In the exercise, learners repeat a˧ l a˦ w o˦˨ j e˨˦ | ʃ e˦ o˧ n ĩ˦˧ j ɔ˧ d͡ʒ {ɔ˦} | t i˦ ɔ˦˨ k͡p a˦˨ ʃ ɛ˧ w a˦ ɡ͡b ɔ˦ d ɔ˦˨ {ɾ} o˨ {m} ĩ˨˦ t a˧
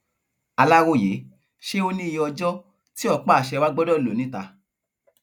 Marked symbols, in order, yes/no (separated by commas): yes, no, no